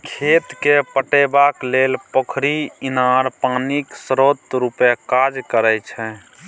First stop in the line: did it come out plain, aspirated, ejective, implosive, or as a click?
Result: aspirated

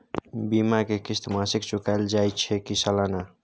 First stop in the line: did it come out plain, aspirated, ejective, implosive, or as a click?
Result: plain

